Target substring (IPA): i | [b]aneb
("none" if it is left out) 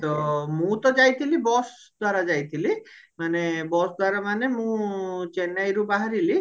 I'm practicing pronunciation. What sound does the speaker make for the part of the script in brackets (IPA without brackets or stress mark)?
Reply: m